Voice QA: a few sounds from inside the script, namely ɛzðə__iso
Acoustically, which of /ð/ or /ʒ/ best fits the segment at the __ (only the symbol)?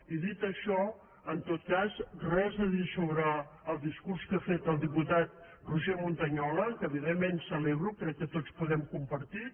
ð